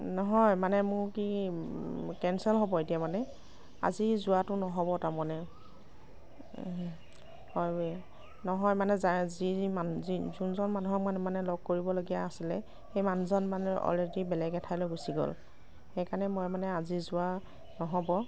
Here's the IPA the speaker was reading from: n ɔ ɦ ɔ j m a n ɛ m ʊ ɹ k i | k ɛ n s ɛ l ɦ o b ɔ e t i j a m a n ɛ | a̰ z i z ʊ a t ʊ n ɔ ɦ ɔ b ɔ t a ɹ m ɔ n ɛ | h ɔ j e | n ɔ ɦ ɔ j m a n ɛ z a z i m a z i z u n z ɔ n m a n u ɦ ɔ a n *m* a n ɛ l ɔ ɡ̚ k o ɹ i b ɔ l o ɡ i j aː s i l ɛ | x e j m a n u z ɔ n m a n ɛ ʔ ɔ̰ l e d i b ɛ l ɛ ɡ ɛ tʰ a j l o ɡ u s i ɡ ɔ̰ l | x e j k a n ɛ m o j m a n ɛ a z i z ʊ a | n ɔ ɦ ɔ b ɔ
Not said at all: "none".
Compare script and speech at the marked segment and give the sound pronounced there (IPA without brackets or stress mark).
m